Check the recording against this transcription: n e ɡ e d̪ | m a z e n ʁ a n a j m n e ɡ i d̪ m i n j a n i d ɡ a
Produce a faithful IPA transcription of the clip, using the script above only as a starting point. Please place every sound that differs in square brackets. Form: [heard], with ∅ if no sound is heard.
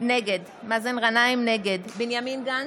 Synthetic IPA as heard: n e ɡ e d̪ | m a z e n ʁ a n a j m n e ɡ [e] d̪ [b] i n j a [m] i [n] ɡ a